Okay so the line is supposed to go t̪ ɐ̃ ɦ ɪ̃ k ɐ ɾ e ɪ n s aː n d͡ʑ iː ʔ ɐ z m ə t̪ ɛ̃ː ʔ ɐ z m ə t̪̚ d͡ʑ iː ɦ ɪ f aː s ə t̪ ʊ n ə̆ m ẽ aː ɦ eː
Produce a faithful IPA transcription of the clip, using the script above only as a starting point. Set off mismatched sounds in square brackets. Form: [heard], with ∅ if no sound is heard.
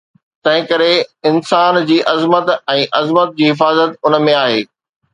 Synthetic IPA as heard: t̪ ɐ̃ ɦ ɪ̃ k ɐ ɾ e ɪ n s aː n d͡ʑ iː ʔ ɐ z m ə t̪ ɛ̃ː ʔ ɐ z m ə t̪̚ d͡ʑ iː ɦ ɪ f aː [z] ə t̪ ʊ n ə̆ m ẽ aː ɦ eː

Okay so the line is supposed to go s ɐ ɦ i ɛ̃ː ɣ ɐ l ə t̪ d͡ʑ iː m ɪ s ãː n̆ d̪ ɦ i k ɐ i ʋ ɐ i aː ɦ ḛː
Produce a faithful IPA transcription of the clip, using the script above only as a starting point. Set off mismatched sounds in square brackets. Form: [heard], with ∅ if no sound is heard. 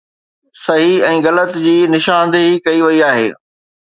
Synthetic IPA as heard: s ɐ ɦ i ɛ̃ː ɣ ɐ l ə t̪ d͡ʑ iː [n] ɪ [ʃ] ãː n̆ d̪ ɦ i k ɐ i ʋ ɐ i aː ɦ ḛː

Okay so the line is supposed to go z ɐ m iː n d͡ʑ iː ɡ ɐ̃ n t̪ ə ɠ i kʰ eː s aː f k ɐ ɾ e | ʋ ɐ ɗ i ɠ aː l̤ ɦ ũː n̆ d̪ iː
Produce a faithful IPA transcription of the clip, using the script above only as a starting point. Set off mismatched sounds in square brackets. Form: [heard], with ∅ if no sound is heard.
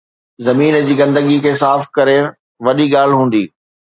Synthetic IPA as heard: z ɐ m iː n d͡ʑ iː ɡ ɐ̃ n [d̪] ə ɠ i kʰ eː s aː f k ɐ ɾ e | ʋ ɐ ɗ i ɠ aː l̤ ɦ ũː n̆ d̪ iː

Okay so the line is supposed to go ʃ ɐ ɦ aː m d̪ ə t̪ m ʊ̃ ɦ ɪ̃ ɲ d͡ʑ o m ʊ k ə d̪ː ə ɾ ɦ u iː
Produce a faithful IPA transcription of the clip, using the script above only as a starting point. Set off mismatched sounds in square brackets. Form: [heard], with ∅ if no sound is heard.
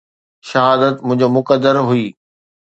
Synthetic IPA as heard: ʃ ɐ ɦ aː [∅] d̪ ə t̪ m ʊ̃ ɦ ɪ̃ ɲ d͡ʑ o m ʊ k ə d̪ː ə ɾ ɦ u iː

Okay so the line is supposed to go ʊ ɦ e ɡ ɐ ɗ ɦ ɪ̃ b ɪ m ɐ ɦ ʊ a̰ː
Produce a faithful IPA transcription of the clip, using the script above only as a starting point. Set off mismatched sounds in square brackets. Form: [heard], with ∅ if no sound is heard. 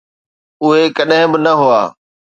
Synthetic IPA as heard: ʊ ɦ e [k] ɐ ɗ ɦ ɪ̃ b ɪ [n] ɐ ɦ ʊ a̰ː

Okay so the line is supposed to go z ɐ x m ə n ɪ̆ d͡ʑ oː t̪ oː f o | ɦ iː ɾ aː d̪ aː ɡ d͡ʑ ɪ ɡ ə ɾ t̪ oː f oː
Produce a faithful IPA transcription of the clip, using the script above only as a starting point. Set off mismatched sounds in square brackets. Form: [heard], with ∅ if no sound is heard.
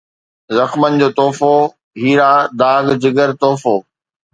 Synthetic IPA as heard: z ɐ x m ə n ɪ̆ d͡ʑ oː t̪ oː f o | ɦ iː ɾ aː d̪ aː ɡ d͡ʑ ɪ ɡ ə ɾ t̪ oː f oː

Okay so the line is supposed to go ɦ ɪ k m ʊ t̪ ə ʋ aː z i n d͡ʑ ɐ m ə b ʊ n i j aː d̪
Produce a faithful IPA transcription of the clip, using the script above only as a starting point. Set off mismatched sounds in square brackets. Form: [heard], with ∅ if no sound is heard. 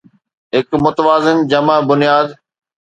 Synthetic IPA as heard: ɦ ɪ k m ʊ t̪ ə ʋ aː z [ɪ] n d͡ʑ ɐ m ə b ʊ n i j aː d̪

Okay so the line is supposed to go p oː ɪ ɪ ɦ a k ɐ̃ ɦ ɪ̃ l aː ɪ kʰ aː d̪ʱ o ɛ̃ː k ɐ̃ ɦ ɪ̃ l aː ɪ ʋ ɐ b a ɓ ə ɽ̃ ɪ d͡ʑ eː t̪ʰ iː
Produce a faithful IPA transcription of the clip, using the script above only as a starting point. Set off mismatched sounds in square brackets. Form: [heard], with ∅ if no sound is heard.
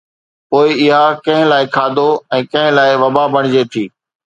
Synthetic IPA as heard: p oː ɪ ɪ ɦ a k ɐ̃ ɦ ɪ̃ l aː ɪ kʰ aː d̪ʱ o ɛ̃ː k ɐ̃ ɦ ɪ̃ l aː ɪ ʋ ɐ b a [b] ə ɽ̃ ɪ d͡ʑ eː t̪ʰ iː

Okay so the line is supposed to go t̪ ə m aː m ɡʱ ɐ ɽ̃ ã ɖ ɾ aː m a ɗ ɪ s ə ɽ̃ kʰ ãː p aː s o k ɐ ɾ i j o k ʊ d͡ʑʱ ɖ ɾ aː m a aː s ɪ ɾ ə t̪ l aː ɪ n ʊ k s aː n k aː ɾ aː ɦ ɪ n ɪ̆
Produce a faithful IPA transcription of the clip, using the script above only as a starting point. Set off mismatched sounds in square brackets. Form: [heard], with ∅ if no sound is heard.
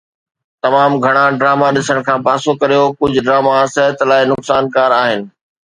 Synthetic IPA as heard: t̪ [ɐ] m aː m ɡʱ ɐ ɽ̃ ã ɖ ɾ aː m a ɗ ɪ s ə ɽ̃ kʰ ãː p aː s o k ɐ ɾ i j o k ʊ d͡ʑʱ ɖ ɾ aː m a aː s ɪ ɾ ə t̪ l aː ɪ n ʊ k s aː n k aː ɾ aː ɦ ɪ n ɪ̆

